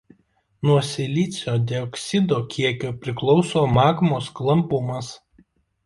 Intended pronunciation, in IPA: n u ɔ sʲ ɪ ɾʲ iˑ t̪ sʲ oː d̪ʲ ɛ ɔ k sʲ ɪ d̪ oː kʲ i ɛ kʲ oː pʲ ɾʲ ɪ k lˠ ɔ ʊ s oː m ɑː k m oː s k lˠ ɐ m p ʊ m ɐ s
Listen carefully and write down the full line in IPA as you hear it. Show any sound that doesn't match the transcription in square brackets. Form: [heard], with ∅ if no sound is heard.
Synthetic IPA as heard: n u ɔ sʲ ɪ [lʲ] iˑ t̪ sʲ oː d̪ʲ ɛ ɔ k sʲ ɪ d̪ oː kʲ i ɛ kʲ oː pʲ ɾʲ ɪ k lˠ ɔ ʊ s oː m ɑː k m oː s k lˠ ɐ m p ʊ m ɐ s